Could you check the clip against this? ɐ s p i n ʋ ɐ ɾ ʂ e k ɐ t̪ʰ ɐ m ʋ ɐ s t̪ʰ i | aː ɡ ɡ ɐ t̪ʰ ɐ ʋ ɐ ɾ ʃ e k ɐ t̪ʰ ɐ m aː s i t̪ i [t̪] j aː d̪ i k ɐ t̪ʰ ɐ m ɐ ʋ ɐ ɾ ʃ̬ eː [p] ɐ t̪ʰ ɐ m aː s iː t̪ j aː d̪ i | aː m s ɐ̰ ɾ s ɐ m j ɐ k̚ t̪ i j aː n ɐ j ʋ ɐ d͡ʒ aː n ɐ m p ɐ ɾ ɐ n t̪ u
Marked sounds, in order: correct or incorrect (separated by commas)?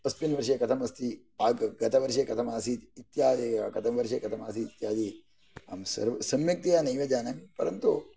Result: correct, incorrect